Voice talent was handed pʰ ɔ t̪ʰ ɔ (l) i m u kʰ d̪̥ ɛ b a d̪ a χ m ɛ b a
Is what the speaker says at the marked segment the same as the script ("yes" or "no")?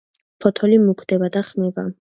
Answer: yes